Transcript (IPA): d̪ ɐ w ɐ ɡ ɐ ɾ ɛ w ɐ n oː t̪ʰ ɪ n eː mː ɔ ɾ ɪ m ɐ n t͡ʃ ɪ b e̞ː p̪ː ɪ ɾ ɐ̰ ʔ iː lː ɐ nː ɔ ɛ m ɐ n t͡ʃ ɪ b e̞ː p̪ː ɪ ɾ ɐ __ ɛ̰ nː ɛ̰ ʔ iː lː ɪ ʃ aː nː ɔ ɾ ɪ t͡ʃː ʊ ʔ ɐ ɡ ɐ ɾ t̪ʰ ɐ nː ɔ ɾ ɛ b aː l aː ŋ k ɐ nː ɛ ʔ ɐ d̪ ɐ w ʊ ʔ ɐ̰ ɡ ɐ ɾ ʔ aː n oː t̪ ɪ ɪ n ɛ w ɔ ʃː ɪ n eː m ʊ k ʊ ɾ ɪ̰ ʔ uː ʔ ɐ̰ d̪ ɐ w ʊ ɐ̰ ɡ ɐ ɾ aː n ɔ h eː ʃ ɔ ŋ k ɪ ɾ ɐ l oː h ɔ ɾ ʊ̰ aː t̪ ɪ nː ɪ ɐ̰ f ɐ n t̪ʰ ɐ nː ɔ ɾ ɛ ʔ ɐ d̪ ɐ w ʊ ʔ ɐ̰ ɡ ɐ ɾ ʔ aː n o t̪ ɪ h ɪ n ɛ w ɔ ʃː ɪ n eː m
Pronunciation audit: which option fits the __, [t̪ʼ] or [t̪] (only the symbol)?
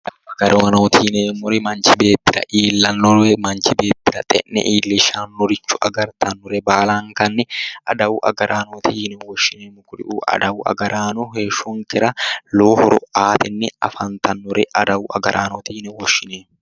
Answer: t̪ʼ